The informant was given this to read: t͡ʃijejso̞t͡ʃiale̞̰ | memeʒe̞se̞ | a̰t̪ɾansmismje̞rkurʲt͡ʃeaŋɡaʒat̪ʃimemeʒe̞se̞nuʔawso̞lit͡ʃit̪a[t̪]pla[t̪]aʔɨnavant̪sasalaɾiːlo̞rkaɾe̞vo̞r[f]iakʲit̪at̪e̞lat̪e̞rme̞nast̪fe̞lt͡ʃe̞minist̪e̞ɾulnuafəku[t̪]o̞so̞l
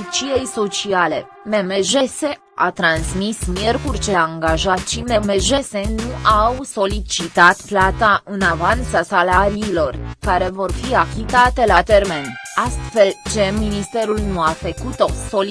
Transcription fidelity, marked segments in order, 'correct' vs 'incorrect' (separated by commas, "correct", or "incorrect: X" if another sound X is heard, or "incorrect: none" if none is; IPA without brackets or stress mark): correct, correct, correct, correct